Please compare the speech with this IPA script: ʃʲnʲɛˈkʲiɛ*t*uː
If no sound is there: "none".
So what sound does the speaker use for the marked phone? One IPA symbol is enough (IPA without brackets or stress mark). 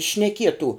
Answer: t